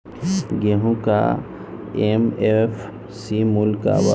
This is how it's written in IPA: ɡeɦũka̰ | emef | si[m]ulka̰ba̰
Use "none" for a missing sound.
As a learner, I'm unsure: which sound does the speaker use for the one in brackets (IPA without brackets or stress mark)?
m